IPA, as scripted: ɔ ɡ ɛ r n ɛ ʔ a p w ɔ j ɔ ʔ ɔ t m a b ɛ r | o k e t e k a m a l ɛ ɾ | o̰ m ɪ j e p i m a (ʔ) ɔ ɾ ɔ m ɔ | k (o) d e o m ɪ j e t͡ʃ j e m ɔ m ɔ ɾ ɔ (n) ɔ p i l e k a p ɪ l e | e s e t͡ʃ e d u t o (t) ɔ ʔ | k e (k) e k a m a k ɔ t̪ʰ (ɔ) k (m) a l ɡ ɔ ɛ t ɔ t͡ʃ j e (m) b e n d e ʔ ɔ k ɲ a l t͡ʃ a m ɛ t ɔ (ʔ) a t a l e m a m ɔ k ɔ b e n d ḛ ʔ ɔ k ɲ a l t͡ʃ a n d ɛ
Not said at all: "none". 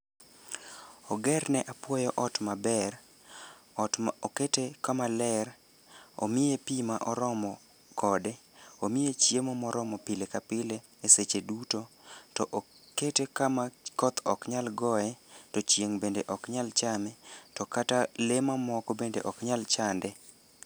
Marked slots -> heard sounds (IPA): ʔ, ɔ, m, t, t, ɔ, ɲ, ŋ, k

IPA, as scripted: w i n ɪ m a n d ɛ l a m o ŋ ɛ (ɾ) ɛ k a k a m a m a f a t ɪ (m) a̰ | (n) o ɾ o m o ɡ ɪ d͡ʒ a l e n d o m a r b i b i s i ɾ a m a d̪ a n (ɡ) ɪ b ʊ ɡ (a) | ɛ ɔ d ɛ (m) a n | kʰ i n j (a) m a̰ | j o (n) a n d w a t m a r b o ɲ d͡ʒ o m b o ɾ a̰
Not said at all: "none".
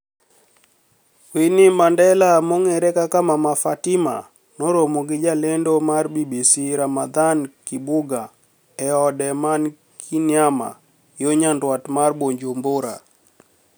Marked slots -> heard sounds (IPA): ɾ, m, n, k, a, m, a, ɲ

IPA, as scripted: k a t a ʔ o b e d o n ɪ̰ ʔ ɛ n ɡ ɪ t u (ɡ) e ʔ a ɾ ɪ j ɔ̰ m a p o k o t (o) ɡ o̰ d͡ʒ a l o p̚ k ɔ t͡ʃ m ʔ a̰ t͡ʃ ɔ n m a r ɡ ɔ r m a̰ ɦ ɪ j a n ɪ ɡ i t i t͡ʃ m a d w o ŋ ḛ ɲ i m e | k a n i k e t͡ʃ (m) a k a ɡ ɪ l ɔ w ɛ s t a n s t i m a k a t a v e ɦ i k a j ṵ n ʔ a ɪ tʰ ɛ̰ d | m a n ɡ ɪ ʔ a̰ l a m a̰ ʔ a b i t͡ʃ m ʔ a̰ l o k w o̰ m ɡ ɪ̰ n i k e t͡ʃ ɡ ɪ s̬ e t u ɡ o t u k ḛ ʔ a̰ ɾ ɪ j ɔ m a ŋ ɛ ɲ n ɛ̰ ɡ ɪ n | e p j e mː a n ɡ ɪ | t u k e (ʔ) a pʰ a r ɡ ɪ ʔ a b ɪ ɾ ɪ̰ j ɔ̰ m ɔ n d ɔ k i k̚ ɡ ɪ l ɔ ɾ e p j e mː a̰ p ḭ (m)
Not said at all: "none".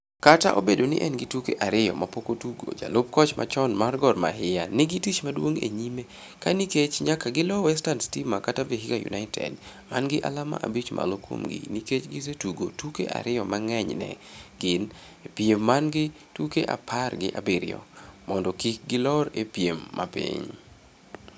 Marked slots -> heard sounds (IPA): k, u, ɲ, ʔ, ɲ

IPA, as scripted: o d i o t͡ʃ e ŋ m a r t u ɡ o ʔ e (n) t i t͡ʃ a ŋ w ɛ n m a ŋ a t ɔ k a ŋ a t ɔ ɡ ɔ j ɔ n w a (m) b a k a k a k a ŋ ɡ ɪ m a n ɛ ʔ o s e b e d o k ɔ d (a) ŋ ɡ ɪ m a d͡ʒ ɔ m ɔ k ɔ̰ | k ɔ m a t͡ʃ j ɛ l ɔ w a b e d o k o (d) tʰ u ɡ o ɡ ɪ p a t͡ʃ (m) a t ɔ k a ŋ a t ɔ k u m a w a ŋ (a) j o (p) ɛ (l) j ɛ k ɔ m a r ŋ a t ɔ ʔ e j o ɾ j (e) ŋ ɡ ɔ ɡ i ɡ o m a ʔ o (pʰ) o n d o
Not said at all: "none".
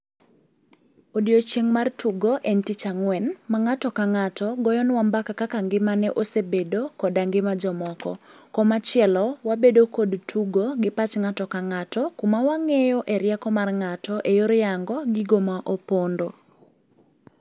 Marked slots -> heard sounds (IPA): n, m, a, d, ŋ, e, ʔ, ɾ, a, p

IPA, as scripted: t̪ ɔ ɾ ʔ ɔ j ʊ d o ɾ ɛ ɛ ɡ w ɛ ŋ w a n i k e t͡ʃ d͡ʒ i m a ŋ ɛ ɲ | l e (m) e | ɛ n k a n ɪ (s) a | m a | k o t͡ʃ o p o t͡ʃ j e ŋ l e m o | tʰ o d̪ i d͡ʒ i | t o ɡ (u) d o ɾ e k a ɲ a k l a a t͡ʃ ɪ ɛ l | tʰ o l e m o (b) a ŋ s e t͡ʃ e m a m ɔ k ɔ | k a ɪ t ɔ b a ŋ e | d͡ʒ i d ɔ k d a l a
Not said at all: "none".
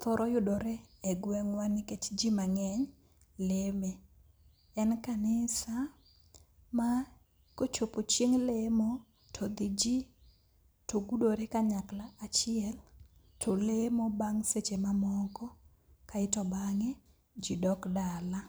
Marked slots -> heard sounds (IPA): m, s, u, b

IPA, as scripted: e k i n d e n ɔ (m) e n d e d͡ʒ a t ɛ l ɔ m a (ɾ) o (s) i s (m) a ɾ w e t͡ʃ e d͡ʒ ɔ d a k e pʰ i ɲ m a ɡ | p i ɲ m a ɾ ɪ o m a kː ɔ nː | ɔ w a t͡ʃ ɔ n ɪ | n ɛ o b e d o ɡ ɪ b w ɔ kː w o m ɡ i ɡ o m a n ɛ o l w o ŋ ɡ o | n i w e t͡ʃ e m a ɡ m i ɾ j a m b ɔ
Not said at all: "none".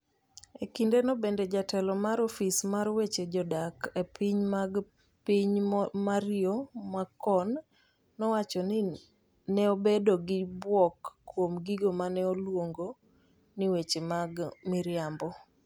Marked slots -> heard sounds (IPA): b, ɾ, f, m

